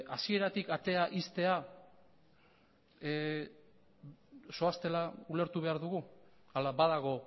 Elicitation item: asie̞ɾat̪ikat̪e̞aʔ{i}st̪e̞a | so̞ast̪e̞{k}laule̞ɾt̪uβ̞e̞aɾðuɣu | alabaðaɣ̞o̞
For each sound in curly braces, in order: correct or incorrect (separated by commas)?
correct, incorrect